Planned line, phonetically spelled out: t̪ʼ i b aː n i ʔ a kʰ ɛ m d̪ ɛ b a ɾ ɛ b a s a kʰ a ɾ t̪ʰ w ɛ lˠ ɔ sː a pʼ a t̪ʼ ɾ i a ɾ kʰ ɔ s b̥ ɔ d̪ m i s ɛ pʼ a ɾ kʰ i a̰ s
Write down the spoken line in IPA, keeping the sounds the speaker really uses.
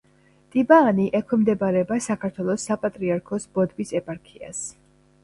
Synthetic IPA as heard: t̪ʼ i b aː n i ʔ ɛ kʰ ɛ m d̪ ɛ b a ɾ ɛ b a s a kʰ a ɾ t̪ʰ w ɛ lˠ ɔ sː a pʼ a t̪ʼ ɾ i a ɾ kʰ ɔ s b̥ ɔ d̪ b i s ɛ pʼ a ɾ kʰ i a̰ s